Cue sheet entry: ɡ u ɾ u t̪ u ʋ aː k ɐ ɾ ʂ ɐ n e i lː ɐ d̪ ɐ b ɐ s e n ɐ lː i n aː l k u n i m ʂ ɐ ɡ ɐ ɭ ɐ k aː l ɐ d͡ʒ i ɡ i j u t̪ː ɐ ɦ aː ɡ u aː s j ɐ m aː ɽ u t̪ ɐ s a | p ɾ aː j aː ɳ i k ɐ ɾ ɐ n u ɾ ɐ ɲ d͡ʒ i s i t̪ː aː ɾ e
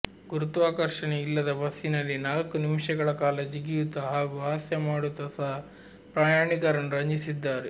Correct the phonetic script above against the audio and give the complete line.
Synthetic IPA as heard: ɡ u ɾ u t̪ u ʋ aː k ɐ ɾ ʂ ɐ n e i lː ɐ d̪ ɐ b ɐ s i n ɐ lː i n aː l k u n i m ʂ ɐ ɡ ɐ ɭ ɐ k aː l ɐ d͡ʒ i ɡ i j u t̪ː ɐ ɦ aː ɡ u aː s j ɐ m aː ɽ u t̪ ɐ s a | p ɾ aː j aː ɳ i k ɐ ɾ ɐ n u ɾ ɐ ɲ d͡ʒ i s i d̪ː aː ɾ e